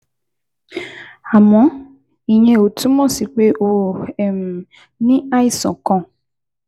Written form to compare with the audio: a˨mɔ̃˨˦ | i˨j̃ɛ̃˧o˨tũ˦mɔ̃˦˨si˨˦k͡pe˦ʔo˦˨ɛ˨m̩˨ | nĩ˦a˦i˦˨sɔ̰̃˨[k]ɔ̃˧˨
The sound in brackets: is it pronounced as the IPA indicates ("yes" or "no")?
yes